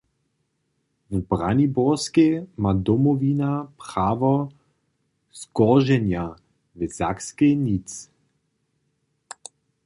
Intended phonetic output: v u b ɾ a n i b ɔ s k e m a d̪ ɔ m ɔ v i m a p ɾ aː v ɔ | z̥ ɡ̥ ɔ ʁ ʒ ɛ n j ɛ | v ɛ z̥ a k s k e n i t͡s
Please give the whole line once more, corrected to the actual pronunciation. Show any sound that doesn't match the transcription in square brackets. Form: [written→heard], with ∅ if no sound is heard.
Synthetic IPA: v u b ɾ a n i b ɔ s k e m a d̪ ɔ m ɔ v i [m→n] a p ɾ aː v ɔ | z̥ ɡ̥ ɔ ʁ ʒ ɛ n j [ɛ→a] | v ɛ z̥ a k s k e n i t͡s